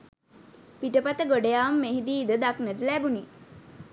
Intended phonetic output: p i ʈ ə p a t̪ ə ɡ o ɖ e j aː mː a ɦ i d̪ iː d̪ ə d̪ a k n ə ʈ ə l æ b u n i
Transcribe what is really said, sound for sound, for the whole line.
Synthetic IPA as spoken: p i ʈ ə p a t̪ ə ɡ o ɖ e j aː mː e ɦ i d̪ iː d̪ ə d̪ a k n ə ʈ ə l æ b u n i